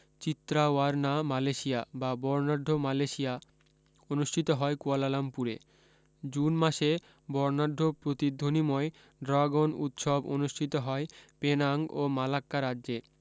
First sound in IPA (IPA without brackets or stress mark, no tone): t͡ɕ